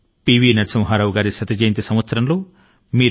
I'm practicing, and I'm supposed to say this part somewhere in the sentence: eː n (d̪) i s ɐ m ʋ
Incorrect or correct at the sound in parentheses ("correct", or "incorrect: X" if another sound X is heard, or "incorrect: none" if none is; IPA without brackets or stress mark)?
incorrect: t̪